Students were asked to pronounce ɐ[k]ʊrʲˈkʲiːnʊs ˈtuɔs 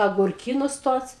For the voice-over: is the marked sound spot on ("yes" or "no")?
no